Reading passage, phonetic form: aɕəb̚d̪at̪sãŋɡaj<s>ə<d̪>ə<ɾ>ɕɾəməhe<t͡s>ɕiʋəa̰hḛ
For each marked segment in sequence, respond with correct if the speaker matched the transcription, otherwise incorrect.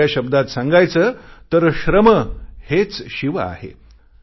incorrect: t͡s, incorrect: t̪, correct, correct

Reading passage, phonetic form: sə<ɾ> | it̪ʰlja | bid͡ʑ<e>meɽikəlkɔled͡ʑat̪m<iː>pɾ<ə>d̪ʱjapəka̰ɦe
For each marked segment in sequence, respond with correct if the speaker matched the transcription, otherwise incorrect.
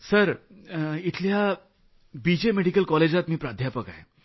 correct, correct, correct, incorrect: a

